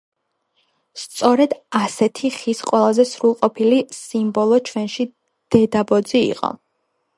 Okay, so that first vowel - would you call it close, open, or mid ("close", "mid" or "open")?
mid